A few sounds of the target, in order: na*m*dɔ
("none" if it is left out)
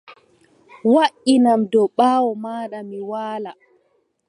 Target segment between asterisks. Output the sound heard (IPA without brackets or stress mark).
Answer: m